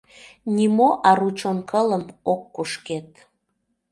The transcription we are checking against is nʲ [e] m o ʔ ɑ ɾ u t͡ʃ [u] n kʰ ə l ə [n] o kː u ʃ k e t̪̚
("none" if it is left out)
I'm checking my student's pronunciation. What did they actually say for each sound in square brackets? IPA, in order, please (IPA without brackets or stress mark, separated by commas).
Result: i, o, m